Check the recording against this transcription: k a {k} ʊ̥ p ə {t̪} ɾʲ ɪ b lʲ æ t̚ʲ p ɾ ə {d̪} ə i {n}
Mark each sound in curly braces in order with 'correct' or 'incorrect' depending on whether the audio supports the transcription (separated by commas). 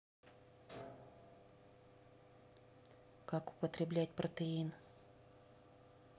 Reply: correct, correct, incorrect, correct